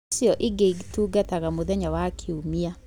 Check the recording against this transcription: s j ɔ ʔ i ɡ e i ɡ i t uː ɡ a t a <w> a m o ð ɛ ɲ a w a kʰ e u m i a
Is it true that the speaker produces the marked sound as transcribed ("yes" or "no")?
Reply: no